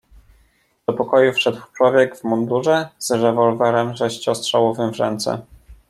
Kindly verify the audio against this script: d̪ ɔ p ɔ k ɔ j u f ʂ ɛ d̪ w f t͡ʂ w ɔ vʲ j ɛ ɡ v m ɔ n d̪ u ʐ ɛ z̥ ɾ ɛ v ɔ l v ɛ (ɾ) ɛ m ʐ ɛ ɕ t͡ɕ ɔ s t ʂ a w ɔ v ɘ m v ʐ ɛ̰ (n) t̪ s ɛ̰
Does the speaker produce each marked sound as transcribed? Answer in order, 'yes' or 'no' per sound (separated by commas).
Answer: yes, yes